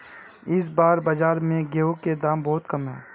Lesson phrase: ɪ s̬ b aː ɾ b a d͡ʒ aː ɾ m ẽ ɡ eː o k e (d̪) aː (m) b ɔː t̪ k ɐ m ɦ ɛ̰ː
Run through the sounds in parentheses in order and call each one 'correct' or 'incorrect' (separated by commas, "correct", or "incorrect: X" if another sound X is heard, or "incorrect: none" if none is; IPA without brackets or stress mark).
correct, correct